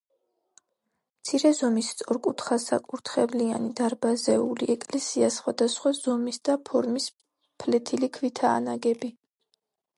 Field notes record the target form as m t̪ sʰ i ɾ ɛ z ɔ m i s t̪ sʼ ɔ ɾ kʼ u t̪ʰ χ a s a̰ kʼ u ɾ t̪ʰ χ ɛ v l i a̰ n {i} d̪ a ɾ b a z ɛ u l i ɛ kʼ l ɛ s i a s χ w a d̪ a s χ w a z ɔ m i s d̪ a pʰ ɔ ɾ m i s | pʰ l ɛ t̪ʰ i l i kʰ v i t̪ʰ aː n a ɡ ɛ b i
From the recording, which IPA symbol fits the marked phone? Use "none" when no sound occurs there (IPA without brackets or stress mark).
i